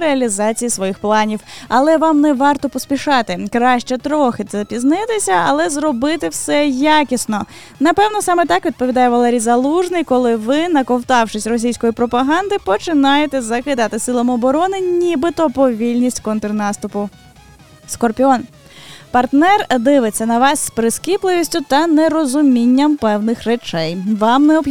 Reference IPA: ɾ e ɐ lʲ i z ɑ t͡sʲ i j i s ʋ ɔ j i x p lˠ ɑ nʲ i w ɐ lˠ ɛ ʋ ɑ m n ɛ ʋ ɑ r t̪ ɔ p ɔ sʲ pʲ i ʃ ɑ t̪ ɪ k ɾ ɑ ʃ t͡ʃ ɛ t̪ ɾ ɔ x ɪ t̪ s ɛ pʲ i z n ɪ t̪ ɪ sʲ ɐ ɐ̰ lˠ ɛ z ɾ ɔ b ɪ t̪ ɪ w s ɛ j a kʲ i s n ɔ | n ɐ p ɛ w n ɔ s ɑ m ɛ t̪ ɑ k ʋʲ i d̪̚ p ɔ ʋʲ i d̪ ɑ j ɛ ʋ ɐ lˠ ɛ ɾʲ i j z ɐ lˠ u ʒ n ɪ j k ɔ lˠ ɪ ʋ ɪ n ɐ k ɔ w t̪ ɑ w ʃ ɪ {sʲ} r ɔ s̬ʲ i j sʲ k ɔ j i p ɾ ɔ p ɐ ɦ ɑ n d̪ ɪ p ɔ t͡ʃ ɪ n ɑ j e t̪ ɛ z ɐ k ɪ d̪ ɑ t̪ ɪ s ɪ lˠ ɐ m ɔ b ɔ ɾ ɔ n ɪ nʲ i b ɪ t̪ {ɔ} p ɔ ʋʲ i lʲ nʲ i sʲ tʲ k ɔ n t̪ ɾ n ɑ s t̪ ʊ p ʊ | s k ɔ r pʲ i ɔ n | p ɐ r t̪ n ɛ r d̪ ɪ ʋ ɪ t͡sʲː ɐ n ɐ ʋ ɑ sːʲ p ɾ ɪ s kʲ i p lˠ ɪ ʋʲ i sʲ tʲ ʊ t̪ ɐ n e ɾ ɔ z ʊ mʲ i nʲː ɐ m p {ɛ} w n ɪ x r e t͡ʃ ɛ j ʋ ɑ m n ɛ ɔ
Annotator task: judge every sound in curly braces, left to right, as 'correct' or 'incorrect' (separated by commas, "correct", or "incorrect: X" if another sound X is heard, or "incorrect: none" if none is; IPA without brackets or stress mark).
correct, correct, correct